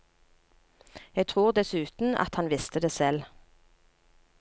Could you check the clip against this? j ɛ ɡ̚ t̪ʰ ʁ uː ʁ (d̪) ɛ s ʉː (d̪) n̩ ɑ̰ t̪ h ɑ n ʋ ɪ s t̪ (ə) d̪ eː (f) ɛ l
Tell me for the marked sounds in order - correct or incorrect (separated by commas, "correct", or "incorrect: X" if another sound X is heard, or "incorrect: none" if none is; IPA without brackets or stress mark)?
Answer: correct, incorrect: t̪, correct, incorrect: s